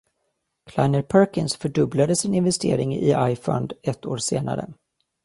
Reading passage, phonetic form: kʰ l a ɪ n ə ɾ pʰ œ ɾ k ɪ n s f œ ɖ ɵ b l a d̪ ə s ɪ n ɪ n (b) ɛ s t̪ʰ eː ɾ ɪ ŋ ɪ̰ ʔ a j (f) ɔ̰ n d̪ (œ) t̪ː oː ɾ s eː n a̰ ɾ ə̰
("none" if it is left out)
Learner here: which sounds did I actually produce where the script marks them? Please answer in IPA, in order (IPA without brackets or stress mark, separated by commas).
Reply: v, f, ɛ